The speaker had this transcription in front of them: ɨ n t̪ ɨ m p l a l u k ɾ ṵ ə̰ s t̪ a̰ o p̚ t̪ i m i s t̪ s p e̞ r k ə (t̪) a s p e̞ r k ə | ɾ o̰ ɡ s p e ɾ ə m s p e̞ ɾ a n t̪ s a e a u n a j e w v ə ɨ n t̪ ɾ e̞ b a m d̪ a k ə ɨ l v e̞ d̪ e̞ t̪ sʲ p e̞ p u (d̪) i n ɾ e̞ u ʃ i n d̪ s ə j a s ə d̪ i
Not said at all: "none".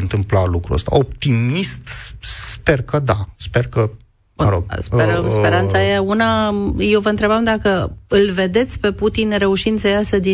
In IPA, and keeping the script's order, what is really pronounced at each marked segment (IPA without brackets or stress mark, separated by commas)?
d̪, t̪